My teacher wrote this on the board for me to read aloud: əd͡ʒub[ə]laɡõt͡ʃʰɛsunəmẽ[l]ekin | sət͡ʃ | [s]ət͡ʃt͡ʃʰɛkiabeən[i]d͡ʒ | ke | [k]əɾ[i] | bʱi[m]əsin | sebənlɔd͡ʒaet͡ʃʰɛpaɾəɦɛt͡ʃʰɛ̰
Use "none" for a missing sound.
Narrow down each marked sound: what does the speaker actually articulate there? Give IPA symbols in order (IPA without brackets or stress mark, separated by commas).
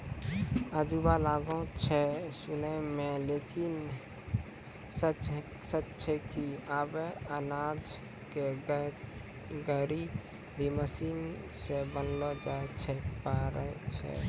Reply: a, l, s, a, ɡ, i, m